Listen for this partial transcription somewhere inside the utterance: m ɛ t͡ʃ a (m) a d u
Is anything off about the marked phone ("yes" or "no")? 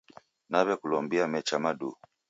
no